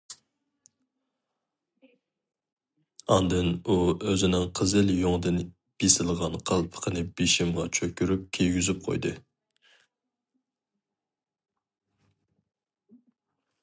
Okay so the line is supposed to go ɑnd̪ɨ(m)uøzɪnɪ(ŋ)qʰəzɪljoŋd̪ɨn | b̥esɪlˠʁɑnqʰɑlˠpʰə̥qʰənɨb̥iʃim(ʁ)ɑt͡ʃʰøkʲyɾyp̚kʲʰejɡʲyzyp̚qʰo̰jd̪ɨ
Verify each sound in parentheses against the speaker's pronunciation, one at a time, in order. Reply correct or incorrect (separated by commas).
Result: incorrect, correct, correct